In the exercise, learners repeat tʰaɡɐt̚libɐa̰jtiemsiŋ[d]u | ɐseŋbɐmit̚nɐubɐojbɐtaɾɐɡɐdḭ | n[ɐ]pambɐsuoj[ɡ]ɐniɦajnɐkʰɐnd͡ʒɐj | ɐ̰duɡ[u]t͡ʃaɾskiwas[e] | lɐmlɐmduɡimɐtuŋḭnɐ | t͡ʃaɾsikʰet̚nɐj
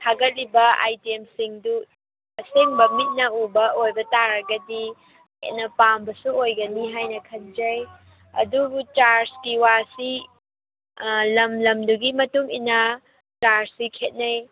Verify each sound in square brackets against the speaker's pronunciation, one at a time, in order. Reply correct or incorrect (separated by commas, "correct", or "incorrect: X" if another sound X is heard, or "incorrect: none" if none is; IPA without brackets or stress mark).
correct, correct, correct, correct, incorrect: i